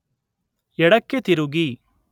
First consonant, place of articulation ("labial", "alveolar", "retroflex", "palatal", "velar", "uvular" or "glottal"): retroflex